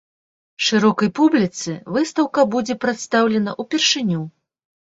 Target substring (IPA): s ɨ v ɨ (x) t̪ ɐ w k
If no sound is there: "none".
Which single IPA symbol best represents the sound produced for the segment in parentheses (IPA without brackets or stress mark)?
s